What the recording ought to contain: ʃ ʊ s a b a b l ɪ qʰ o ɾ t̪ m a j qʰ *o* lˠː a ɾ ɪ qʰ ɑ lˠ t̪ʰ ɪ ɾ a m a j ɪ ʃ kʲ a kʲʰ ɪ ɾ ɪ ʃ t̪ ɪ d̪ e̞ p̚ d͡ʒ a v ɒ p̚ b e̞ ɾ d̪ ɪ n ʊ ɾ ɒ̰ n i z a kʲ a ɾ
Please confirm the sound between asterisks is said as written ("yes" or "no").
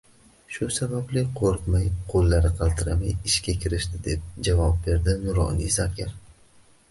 yes